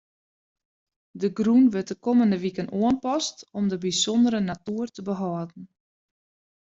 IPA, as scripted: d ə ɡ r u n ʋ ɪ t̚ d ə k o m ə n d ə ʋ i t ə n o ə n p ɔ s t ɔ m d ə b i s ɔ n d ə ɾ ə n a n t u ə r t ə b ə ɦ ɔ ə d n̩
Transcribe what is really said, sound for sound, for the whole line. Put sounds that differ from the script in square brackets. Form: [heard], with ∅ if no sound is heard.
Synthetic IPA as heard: d ə ɡ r u n ʋ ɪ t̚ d ə k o m ə n d ə ʋ i [k] ə n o ə n p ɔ s t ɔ m d ə b i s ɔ n d ə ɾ ə n a [∅] t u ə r t ə b ə ɦ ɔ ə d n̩